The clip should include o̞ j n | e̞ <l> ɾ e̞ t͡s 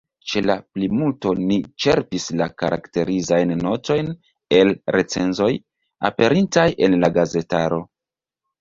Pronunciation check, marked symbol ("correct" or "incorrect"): correct